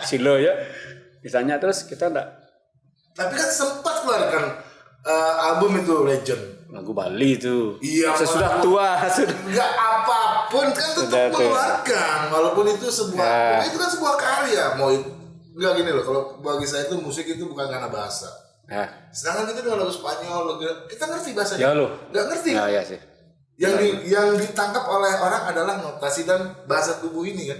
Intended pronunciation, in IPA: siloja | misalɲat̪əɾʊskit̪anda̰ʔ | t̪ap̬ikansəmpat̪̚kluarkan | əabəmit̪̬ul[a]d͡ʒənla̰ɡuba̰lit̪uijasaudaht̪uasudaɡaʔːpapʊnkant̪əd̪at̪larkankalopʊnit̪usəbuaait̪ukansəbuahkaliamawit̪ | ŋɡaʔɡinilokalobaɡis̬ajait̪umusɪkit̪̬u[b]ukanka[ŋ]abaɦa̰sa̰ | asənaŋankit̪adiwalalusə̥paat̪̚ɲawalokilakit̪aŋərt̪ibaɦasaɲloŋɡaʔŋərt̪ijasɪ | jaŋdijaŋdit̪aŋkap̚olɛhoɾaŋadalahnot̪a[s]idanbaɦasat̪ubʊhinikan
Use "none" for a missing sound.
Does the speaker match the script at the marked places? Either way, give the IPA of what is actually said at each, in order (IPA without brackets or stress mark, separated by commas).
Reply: e, b, n, s